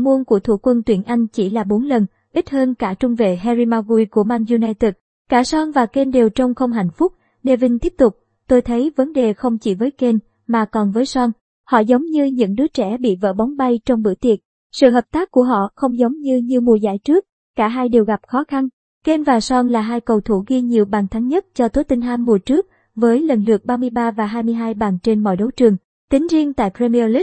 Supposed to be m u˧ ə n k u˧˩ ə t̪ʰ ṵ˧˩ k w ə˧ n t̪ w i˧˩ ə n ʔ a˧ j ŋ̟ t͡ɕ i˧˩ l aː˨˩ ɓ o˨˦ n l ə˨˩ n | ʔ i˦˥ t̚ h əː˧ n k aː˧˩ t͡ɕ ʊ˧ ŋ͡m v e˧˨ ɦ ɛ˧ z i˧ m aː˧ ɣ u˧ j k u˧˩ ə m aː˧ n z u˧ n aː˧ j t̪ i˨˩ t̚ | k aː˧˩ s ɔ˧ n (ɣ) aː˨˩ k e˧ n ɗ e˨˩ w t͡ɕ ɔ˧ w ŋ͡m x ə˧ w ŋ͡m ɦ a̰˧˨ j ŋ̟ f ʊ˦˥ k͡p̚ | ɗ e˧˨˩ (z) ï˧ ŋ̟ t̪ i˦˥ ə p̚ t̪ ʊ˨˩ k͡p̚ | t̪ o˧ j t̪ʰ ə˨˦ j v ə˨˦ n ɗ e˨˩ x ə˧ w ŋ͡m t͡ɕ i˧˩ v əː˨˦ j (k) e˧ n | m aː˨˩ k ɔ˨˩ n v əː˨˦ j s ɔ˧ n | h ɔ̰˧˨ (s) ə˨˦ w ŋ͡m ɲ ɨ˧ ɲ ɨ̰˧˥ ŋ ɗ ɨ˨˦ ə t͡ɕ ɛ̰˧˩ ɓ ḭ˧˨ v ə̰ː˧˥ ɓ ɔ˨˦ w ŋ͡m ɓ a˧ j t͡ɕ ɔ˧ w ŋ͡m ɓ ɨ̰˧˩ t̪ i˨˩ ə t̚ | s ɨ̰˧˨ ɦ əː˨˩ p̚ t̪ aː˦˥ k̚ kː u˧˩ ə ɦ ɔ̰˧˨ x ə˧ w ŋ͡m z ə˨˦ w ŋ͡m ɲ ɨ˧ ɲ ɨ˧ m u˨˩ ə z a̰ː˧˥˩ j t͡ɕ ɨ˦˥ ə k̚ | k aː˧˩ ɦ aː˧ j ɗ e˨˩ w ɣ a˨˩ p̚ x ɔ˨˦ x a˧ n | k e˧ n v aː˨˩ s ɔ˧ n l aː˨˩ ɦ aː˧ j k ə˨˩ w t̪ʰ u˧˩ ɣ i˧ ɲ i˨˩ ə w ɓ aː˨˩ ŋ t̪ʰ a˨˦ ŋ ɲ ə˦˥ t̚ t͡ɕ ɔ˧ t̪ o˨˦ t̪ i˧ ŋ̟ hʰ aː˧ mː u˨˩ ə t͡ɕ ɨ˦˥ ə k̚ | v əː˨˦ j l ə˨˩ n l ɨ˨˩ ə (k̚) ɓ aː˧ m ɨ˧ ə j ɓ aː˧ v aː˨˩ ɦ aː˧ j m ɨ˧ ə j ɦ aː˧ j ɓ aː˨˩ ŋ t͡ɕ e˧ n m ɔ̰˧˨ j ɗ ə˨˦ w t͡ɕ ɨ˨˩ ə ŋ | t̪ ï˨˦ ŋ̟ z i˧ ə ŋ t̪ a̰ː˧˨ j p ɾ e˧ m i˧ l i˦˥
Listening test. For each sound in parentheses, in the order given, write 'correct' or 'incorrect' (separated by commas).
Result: incorrect, incorrect, correct, incorrect, correct